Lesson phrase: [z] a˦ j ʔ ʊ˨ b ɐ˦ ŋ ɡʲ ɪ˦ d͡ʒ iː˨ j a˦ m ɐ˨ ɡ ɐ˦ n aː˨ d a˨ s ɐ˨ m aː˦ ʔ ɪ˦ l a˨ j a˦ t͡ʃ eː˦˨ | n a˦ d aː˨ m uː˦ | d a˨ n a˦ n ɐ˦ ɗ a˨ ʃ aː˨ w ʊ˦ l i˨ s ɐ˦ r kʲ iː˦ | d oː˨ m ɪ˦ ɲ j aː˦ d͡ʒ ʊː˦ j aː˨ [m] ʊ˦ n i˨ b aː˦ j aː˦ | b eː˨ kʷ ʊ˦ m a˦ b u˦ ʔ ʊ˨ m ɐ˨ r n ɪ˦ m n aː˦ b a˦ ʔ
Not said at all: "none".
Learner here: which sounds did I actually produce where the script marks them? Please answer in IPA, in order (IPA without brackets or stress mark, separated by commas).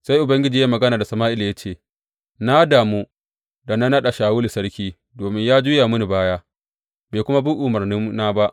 s, m